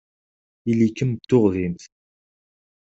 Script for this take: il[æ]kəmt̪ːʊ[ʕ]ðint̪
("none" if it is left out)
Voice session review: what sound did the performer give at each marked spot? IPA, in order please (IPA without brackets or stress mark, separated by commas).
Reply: i, ʁ